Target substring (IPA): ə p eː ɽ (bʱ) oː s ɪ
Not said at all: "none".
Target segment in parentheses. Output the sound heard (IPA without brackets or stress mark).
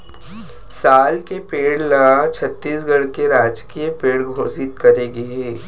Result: ɡʱ